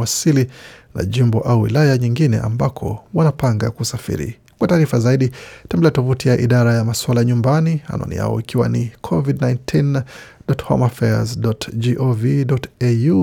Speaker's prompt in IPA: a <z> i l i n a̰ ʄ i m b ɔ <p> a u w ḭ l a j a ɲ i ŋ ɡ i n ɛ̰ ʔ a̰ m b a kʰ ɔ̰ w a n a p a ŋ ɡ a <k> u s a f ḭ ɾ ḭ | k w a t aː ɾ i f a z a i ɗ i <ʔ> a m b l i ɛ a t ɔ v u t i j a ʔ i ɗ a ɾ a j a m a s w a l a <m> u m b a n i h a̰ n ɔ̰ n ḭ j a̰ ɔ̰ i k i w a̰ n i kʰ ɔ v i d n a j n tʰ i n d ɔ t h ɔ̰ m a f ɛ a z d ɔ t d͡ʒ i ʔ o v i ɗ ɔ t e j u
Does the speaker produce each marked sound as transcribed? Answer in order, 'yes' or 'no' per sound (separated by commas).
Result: no, no, yes, no, no